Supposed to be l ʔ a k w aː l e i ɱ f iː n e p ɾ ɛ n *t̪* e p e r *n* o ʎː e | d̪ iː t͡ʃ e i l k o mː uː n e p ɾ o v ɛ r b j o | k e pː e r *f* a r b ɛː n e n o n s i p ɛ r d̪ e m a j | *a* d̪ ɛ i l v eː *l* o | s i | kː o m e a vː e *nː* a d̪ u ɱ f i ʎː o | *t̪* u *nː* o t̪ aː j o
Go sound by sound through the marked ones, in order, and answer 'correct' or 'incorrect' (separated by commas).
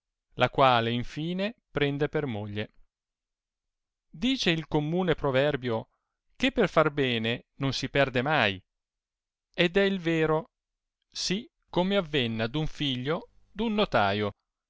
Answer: incorrect, incorrect, correct, incorrect, incorrect, correct, incorrect, correct